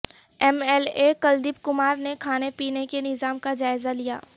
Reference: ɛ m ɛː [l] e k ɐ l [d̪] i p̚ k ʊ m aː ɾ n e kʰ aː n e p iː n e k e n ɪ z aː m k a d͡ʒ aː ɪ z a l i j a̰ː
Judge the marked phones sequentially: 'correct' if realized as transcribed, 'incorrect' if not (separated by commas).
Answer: correct, correct